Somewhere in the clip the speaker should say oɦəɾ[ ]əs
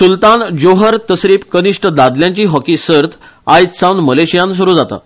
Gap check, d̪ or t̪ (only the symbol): t̪